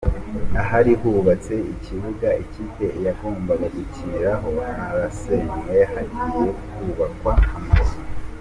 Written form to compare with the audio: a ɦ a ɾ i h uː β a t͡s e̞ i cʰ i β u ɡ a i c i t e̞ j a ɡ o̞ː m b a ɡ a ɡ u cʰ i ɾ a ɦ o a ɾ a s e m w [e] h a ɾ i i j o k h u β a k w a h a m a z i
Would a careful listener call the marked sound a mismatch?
no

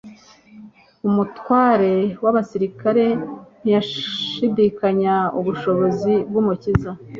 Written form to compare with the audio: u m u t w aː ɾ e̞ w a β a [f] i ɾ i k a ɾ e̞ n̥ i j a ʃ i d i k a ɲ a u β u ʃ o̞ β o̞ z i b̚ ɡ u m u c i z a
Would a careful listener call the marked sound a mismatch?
yes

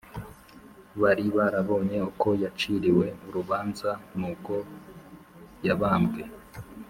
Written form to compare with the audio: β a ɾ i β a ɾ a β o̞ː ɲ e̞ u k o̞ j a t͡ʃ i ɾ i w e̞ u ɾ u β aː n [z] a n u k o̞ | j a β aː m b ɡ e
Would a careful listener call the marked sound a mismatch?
no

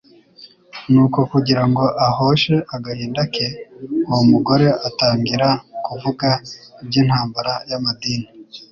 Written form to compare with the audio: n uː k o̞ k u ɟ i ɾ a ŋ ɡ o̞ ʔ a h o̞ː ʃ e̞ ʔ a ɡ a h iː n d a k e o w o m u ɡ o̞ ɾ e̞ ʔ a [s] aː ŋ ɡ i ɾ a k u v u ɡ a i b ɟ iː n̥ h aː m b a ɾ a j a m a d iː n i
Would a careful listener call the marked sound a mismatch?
yes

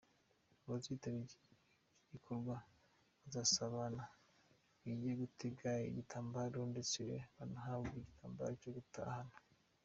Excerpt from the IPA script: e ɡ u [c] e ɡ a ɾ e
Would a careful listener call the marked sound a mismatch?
yes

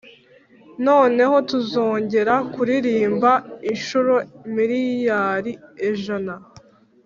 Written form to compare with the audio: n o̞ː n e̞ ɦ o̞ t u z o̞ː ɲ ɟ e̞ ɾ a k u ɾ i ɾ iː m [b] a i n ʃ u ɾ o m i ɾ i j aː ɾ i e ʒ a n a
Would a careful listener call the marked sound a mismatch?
no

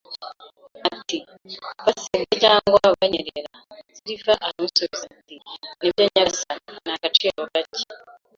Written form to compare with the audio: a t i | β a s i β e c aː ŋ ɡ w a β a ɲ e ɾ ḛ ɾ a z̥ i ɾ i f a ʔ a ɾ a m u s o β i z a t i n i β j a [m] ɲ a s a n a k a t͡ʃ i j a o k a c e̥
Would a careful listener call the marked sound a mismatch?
yes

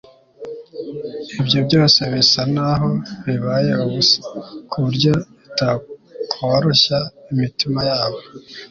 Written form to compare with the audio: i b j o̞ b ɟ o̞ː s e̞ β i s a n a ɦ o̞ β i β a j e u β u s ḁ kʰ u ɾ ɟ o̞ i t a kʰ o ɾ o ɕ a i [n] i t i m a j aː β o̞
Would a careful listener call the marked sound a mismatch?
yes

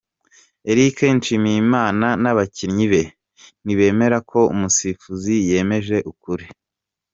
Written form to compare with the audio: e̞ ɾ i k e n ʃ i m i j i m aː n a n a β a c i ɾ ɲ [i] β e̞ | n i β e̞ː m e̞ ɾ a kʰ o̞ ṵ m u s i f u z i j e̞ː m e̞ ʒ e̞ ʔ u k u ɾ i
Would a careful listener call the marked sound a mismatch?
no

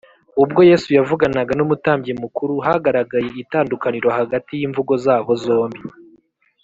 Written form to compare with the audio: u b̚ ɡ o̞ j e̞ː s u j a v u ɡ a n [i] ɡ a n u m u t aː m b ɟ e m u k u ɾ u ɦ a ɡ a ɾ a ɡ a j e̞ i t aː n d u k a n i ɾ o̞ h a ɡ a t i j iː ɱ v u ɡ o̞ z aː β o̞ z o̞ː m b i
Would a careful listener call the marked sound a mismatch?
yes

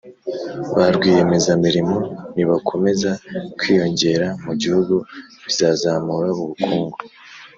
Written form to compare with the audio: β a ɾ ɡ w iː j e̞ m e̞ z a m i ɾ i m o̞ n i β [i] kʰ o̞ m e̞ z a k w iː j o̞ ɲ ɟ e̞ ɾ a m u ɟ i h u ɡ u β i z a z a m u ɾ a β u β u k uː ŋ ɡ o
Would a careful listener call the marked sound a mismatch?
yes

